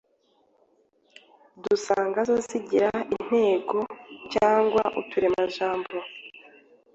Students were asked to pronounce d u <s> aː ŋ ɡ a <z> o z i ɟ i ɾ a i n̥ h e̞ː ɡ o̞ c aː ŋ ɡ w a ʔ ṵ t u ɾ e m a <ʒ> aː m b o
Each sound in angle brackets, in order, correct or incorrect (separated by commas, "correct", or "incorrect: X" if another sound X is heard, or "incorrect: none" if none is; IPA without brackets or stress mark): correct, correct, correct